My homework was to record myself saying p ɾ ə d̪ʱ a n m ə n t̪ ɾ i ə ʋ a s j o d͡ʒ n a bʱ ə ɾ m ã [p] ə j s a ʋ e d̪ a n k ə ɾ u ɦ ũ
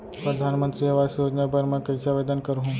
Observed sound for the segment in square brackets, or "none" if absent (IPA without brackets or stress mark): k